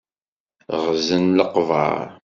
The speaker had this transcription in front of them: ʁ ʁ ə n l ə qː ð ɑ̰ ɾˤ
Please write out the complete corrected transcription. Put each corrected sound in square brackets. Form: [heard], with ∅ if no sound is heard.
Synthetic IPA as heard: ʁ [z] ə n l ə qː [v] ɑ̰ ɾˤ